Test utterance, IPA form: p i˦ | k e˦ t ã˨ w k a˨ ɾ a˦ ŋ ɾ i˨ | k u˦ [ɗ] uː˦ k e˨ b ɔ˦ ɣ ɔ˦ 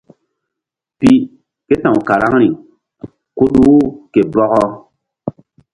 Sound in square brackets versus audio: correct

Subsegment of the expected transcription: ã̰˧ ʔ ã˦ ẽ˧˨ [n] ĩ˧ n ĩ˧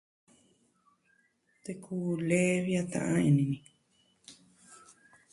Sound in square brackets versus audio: correct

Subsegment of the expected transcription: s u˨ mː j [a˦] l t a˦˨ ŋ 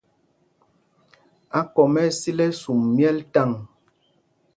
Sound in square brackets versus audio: incorrect: ɛ˦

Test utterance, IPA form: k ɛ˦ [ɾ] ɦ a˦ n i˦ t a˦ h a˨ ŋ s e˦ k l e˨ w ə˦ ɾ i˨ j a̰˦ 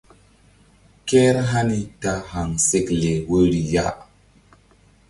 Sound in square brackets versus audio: correct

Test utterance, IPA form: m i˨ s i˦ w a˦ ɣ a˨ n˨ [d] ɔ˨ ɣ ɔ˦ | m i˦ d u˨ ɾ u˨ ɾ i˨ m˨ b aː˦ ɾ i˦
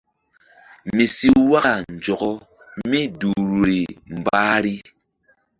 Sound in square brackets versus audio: incorrect: d͡ʒ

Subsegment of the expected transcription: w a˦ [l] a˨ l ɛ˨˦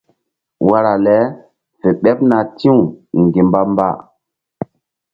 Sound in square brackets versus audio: incorrect: ɾ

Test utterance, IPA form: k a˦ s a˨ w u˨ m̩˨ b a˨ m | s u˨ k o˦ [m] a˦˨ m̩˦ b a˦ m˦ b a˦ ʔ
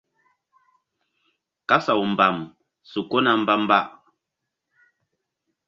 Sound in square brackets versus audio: incorrect: n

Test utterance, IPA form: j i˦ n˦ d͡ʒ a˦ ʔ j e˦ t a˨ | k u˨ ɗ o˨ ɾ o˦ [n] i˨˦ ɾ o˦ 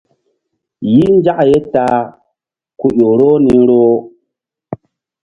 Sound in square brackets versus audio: correct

